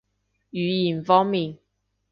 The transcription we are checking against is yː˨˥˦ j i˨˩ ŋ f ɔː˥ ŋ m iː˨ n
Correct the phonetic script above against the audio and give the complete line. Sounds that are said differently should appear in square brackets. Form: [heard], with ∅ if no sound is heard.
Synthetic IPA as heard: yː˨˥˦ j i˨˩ [n] f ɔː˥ ŋ m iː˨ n